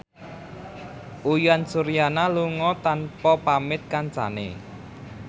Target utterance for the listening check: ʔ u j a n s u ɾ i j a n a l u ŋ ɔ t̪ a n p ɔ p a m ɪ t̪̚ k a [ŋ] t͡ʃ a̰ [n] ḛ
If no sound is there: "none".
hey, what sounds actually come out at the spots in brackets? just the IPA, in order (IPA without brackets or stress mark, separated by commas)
n, n